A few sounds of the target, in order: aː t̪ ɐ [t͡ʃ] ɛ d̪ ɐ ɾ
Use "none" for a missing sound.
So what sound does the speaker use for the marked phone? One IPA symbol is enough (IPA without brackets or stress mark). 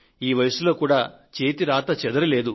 t͡ʃ